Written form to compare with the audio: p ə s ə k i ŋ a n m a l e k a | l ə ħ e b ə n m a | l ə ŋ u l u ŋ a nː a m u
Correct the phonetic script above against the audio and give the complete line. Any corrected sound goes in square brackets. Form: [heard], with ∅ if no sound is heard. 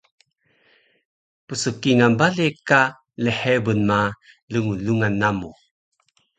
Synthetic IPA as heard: p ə s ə k i ŋ a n [b] a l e k a | l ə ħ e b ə n m a | l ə ŋ u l u ŋ a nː a m u